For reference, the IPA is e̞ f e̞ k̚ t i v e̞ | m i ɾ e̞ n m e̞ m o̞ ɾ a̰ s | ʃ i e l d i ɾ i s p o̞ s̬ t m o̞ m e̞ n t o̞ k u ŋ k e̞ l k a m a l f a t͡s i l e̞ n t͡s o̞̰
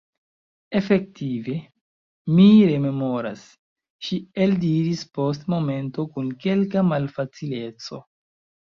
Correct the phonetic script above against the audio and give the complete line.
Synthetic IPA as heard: e̞ f e̞ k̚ t i v e̞ | m i ɾ e̞ m e̞ m o̞ ɾ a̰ s | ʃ i e l d i ɾ i s p o̞ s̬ t m o̞ m e̞ n t o̞ k u n k e̞ l k a m a l f a t͡s i l e̞ t͡s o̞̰